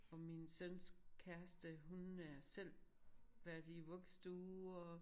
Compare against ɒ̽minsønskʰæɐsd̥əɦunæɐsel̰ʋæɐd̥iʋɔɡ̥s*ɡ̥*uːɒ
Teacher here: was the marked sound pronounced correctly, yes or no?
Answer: no